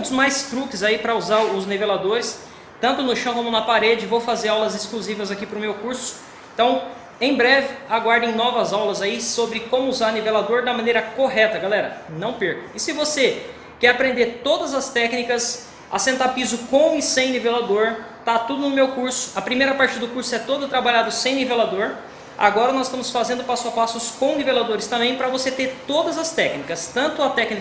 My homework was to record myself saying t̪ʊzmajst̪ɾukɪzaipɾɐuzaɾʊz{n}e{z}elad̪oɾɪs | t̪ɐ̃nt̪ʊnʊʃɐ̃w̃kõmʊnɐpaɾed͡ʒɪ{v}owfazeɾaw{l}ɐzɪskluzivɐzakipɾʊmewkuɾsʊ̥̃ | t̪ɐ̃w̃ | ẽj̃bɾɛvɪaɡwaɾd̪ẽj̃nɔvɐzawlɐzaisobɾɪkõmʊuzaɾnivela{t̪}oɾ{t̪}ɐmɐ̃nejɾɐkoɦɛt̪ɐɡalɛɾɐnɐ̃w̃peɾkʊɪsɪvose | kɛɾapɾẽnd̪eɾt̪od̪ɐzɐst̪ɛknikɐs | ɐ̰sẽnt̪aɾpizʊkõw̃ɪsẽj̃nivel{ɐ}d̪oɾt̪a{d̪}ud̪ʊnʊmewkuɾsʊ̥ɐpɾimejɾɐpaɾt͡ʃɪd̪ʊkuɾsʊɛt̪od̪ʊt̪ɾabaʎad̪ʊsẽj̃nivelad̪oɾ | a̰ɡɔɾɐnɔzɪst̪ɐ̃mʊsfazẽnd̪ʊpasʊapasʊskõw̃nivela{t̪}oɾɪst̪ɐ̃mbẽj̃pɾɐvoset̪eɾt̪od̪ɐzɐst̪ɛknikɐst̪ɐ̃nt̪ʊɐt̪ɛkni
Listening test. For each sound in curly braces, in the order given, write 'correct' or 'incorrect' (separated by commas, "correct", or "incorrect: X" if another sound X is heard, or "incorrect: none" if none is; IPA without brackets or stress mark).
correct, incorrect: v, correct, correct, incorrect: d̪, incorrect: d̪, incorrect: a, incorrect: t̪, incorrect: d̪